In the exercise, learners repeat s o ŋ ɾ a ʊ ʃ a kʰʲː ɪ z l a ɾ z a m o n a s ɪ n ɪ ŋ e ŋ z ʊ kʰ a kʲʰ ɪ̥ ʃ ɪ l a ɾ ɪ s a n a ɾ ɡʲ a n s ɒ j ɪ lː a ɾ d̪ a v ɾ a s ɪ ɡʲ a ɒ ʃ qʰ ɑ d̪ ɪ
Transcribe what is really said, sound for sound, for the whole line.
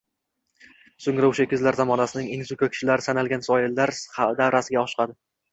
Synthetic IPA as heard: s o ŋ ɾ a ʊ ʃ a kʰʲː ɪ z l a ɾ z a m ɒ n a s ɪ n ɪ ŋ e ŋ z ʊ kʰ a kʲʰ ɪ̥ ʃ ɪ l a ɾ ɪ s a n a l ɡʲ a n s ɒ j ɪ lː a ɾ d̪ a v ɾ a s ɪ ɡʲ a ɒ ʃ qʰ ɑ d̪ ɪ